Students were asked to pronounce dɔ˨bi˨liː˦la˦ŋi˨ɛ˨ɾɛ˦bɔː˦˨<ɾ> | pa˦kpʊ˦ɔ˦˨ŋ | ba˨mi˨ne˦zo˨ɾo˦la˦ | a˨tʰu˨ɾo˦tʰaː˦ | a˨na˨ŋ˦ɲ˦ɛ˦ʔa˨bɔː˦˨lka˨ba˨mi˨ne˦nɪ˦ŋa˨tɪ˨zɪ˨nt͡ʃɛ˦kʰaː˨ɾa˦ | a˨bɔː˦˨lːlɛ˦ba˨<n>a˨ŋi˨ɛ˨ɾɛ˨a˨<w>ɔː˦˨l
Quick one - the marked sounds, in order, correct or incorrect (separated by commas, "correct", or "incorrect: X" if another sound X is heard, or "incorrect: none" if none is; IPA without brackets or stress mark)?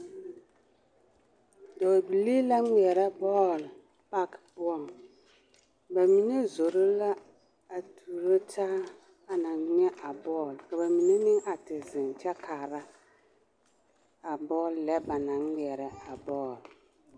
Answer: incorrect: l, correct, incorrect: b